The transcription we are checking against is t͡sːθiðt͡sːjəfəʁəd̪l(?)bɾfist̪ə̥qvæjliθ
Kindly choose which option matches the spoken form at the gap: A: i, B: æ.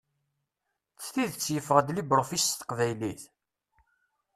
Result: A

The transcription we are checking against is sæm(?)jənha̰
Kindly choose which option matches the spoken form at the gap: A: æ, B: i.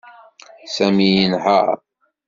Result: B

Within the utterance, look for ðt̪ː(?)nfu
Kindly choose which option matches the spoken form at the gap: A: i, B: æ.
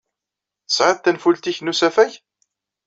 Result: B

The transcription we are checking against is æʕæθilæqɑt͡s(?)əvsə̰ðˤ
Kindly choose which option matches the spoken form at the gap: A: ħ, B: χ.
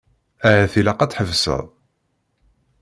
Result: A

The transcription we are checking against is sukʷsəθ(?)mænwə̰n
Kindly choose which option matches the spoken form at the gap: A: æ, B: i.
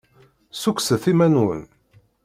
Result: B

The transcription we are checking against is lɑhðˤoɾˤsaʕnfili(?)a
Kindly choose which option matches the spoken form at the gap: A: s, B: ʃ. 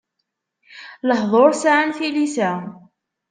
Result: A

